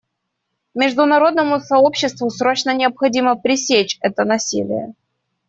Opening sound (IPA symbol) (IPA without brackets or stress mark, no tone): mʲ